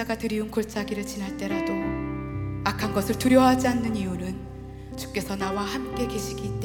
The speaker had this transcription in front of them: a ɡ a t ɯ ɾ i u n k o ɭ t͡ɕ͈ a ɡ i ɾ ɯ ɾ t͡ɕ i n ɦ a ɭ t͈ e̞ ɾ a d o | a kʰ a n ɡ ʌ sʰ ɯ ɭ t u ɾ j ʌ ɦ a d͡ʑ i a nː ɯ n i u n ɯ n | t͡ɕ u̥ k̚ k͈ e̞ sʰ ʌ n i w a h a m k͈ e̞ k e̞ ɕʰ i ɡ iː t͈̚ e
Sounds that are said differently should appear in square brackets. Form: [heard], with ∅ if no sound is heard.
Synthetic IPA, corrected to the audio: a ɡ a t ɯ ɾ i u n k o ɭ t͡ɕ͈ a ɡ i ɾ ɯ [ɭ] t͡ɕ i n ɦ a ɭ t͈ e̞ ɾ a d o | a kʰ a n ɡ ʌ sʰ ɯ ɭ t u ɾ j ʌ ɦ a d͡ʑ i a nː ɯ n i u n ɯ n | t͡ɕ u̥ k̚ k͈ e̞ sʰ ʌ n [a] w a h a m k͈ e̞ k e̞ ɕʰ i ɡ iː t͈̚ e